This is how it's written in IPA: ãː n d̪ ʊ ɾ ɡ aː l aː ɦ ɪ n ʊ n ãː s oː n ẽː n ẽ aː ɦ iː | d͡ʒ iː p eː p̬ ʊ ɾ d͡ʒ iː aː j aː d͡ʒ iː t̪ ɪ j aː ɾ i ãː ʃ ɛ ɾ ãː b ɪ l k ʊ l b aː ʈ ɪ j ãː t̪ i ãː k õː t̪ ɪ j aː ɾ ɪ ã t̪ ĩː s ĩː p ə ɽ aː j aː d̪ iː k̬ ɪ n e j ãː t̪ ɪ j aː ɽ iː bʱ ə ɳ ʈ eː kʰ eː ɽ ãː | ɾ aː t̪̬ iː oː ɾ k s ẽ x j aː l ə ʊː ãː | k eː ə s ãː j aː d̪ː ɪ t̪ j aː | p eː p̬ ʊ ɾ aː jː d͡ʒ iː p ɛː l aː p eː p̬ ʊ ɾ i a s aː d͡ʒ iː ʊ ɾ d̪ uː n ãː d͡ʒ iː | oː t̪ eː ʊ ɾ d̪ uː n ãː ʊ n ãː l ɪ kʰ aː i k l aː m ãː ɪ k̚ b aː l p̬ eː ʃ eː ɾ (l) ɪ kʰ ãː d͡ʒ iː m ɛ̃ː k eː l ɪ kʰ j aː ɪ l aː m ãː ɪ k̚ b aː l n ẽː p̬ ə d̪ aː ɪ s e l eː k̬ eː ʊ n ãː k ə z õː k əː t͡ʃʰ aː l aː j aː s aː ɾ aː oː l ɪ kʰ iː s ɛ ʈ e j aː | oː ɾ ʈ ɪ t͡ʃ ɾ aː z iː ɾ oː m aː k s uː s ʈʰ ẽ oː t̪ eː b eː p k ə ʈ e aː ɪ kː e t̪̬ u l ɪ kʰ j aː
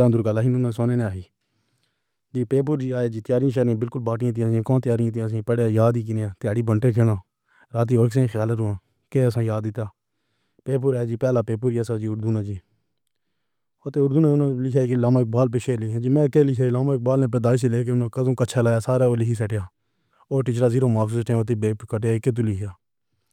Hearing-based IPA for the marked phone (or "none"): l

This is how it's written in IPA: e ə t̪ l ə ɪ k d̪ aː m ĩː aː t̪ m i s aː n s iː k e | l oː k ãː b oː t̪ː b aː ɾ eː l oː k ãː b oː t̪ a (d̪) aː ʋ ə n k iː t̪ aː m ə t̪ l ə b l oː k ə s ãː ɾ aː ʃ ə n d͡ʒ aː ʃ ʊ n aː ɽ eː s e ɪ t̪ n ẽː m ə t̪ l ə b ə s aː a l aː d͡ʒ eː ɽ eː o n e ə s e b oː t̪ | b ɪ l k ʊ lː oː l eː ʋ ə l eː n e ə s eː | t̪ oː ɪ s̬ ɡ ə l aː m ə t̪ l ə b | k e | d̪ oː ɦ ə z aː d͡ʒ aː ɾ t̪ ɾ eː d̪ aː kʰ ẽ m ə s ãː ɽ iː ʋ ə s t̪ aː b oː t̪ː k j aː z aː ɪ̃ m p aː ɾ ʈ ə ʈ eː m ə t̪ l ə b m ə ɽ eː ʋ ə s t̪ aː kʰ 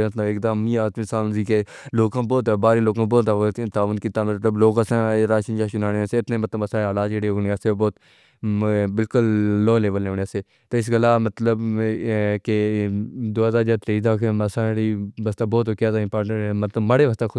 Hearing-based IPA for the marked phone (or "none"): t̪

